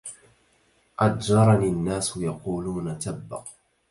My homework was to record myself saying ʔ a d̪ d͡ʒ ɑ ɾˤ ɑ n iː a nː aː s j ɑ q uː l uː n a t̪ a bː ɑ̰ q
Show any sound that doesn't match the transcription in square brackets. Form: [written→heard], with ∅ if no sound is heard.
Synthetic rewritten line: ʔ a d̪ d͡ʒ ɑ ɾˤ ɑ n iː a nː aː s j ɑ q uː l uː n a t̪ a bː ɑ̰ q